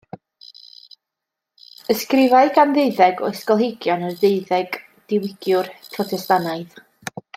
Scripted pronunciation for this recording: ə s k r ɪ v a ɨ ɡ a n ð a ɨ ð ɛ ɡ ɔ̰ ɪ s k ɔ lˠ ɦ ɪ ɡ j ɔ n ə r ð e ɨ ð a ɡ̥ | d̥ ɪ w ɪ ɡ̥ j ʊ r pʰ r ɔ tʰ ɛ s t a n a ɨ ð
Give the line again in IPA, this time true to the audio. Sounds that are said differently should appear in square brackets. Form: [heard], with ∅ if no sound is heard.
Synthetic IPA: ə s k r ɪ v a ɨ ɡ a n ð [e] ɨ ð ɛ ɡ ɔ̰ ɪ s k ɔ lˠ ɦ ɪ ɡ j ɔ n ə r ð e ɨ ð [ɛ] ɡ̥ | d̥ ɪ w ɪ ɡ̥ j ʊ r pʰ r ɔ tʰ ɛ s t a n a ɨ ð